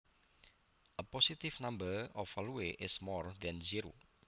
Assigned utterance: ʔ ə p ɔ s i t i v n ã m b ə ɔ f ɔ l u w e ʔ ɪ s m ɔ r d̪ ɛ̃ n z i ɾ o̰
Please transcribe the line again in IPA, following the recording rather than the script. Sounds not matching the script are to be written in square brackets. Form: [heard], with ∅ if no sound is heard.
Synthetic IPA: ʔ ə p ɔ s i t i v n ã m b ə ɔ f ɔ l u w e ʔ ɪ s m ɔ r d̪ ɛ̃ n z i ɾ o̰